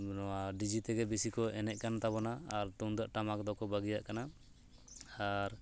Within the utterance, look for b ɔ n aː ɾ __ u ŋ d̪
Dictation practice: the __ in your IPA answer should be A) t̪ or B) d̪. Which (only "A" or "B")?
A